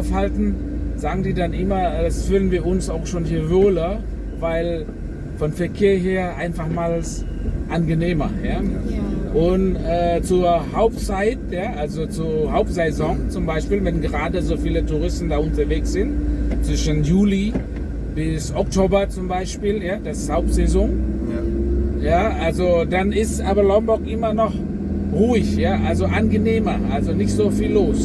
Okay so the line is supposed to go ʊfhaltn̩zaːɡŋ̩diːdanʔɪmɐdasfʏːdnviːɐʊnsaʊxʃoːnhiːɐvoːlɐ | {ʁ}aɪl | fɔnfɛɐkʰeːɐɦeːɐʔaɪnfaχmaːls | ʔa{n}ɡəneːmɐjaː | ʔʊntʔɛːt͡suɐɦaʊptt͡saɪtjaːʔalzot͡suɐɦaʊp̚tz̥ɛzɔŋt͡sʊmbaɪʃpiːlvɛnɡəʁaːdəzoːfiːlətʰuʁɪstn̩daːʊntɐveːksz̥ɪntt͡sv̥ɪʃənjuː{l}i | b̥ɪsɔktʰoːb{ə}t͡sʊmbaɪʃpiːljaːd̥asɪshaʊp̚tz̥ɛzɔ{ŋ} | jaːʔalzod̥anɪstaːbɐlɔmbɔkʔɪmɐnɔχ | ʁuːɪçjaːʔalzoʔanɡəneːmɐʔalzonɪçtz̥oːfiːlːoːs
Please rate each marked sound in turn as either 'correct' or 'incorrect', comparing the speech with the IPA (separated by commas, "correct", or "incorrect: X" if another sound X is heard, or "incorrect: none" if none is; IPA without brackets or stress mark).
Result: incorrect: v, correct, correct, incorrect: ɐ, correct